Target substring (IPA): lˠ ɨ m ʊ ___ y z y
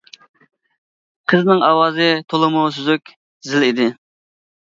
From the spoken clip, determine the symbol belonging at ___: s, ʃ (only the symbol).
s